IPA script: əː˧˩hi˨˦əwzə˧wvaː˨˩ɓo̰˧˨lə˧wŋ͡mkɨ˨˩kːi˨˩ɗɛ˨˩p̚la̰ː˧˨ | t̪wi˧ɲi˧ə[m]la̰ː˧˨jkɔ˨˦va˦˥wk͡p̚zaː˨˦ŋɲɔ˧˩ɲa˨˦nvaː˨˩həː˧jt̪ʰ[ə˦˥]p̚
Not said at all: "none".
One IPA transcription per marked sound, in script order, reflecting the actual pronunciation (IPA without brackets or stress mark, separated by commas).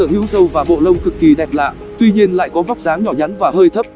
n, ə˦˥